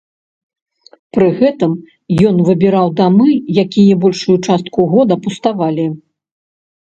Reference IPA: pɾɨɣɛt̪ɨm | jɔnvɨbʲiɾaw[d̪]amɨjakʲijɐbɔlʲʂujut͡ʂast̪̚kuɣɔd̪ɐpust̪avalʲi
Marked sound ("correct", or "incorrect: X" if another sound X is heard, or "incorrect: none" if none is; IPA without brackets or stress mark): correct